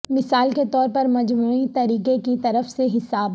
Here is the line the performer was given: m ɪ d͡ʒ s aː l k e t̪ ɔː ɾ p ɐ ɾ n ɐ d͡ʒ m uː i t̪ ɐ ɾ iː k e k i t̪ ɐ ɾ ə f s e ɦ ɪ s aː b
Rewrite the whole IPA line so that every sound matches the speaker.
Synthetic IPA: m ɪ s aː l k e t̪ ɔː ɾ p ɐ ɾ m ɐ d͡ʒ m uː i t̪ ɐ ɾ iː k e k i t̪ ɐ ɾ ə f s e ɦ ɪ s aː b